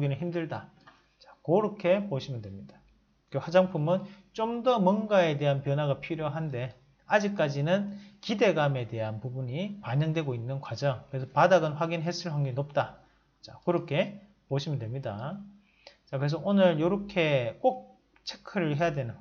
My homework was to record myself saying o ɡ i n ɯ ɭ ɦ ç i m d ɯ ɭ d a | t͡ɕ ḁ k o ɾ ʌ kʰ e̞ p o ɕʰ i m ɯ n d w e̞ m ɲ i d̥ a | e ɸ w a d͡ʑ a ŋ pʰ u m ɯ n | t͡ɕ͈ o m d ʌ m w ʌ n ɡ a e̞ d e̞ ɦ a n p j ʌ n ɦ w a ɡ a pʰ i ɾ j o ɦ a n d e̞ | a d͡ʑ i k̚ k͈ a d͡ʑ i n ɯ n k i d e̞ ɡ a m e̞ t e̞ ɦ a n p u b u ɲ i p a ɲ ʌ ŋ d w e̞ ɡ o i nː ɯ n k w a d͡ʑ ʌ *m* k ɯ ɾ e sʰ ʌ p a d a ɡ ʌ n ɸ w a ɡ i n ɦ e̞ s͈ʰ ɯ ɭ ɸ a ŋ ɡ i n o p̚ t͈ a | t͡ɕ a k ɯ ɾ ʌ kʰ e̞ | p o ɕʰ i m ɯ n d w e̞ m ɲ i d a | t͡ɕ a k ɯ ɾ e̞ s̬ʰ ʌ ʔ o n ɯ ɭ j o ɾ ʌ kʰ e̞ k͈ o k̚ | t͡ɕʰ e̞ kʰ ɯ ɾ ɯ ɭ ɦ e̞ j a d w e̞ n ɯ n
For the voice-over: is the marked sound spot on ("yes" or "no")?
no